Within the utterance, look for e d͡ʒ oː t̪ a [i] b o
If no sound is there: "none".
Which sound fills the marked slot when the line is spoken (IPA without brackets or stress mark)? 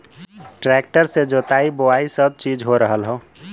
i